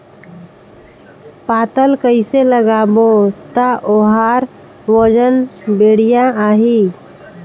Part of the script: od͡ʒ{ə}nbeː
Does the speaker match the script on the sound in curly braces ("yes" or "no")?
yes